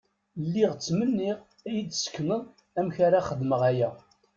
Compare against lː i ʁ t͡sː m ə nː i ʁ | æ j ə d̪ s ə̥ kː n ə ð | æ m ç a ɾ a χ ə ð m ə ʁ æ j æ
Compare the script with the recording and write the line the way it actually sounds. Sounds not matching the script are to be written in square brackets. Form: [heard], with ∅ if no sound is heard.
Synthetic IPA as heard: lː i ʁ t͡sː m ə nː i ʁ | æ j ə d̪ s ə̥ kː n ə ð | æ m ç a ɾ a χ ə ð m ə ʁ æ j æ

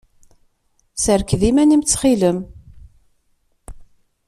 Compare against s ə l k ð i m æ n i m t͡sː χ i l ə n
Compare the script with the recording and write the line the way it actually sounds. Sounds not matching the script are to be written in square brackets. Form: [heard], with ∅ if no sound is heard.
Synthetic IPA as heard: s ə [ɾ] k ð i m æ n i m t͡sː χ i l ə [m]

